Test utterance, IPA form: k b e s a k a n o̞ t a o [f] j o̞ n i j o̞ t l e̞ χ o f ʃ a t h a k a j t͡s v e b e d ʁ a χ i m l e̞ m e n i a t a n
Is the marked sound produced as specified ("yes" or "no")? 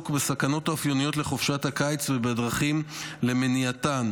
yes